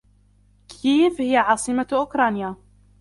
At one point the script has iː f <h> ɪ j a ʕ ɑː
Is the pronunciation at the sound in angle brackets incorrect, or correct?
correct